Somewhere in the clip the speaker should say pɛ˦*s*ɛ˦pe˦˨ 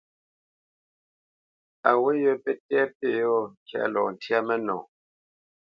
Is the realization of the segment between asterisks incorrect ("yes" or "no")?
yes